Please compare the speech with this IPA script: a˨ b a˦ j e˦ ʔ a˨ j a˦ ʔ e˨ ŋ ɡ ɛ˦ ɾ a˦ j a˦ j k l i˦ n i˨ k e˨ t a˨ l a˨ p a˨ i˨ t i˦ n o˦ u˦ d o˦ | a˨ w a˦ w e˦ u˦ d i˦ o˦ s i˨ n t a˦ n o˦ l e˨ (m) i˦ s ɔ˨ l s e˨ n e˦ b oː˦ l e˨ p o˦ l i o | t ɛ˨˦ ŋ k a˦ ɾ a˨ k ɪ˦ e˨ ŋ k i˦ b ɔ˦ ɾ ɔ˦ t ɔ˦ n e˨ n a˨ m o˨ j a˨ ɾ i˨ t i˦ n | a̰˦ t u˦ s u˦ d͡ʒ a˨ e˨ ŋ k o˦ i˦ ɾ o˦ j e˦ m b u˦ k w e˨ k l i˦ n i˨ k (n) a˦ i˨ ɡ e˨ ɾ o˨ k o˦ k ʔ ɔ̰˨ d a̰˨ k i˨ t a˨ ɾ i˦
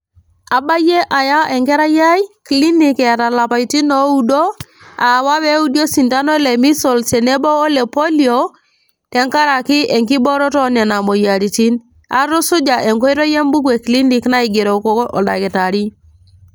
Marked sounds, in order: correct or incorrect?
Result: correct, correct

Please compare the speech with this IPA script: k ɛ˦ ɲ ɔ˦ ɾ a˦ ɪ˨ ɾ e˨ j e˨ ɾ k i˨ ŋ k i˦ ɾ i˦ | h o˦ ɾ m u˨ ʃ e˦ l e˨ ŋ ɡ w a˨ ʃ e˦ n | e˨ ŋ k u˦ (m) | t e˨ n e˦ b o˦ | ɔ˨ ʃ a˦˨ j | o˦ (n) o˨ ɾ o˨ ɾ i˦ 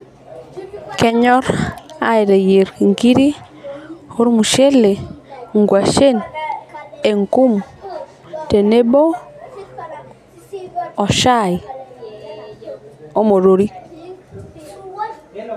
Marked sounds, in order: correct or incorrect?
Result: correct, incorrect: m

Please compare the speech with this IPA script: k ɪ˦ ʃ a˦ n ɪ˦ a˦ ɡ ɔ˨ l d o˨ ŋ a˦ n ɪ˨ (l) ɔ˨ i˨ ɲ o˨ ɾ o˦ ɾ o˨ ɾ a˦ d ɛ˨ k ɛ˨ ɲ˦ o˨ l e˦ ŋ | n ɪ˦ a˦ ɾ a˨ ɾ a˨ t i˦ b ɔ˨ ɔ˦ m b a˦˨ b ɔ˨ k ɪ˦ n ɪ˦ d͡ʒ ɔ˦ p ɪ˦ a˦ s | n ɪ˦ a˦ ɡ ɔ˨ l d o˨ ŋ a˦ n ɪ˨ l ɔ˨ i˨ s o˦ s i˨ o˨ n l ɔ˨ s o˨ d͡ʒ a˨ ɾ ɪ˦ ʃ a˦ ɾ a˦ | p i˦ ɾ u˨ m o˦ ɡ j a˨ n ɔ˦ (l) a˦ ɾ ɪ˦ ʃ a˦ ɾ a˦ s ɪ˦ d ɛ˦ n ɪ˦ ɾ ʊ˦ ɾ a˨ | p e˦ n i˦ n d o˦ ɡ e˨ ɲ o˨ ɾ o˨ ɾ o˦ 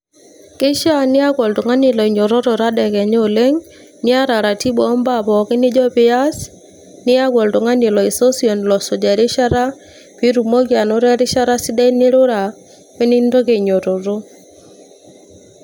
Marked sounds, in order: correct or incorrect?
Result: correct, incorrect: ɾ

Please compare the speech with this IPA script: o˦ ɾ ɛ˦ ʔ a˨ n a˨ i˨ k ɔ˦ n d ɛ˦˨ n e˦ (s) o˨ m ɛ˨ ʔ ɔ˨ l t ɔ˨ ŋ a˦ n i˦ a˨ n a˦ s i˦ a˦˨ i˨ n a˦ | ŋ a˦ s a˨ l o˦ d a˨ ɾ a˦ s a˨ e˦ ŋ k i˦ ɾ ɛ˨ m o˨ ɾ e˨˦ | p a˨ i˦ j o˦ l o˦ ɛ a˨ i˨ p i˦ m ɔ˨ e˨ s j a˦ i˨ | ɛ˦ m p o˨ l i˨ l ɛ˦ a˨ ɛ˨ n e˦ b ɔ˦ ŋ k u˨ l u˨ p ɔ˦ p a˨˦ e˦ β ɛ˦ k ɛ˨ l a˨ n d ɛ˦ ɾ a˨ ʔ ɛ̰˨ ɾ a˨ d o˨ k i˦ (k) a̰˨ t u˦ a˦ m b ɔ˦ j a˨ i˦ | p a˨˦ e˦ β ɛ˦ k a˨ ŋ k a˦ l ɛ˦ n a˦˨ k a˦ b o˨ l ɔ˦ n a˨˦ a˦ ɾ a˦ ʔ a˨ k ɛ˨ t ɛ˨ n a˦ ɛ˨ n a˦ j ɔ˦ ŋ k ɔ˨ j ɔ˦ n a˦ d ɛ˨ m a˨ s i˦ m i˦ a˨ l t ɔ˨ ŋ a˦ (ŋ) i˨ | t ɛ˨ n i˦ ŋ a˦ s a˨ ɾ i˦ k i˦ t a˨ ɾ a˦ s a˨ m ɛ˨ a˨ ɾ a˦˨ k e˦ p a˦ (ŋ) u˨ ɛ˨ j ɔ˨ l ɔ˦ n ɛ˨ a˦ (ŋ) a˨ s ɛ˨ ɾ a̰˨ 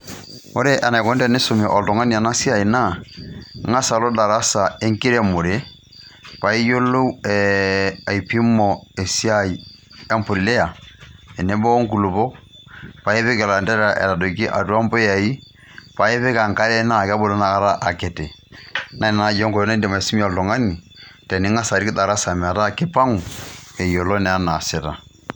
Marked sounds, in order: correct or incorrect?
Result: correct, incorrect: ʔ, incorrect: n, correct, incorrect: n

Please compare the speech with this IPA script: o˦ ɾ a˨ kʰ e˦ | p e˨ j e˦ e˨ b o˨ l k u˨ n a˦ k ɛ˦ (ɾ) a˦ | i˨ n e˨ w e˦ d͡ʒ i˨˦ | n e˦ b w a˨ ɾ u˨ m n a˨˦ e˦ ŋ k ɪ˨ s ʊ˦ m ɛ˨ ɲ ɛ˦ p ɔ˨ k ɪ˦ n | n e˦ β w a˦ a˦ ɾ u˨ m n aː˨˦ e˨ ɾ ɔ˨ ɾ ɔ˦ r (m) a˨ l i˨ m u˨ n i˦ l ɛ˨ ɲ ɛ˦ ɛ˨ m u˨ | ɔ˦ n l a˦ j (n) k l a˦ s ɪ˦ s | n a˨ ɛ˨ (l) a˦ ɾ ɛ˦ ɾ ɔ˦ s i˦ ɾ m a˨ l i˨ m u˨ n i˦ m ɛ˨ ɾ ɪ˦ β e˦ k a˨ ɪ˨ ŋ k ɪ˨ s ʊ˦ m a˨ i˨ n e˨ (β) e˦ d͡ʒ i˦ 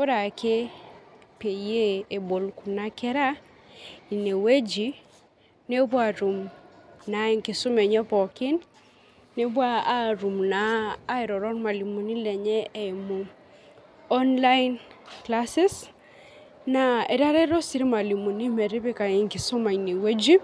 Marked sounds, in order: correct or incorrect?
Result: correct, correct, correct, incorrect: ɾ, incorrect: w

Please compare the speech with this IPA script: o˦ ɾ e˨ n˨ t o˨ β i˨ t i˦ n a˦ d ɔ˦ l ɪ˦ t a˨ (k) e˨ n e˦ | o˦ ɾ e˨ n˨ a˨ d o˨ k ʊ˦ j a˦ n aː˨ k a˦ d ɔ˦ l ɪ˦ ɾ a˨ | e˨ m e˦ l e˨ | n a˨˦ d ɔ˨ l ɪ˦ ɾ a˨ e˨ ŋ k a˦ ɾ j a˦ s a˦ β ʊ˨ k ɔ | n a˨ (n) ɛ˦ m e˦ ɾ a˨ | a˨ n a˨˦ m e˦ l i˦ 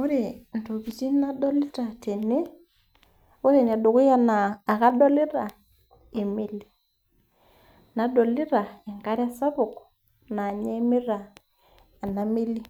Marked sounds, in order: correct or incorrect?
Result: incorrect: t, incorrect: ɲ

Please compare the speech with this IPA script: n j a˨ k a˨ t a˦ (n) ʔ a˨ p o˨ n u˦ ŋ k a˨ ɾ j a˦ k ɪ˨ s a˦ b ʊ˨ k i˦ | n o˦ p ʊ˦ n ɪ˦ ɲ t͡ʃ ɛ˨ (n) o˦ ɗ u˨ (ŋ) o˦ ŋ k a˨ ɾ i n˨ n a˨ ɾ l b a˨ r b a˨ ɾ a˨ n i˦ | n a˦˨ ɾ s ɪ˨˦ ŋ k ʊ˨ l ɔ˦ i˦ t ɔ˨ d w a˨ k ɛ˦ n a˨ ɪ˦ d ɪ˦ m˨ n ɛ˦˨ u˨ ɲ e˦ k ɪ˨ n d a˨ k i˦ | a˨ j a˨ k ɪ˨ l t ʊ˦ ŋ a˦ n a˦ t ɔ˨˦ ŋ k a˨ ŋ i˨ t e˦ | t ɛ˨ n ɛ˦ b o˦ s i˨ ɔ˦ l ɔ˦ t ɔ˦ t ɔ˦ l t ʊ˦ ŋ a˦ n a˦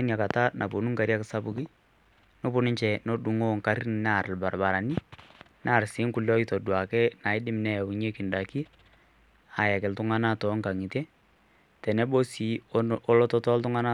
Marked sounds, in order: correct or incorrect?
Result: correct, correct, correct

